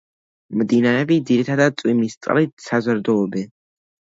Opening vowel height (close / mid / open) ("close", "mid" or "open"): close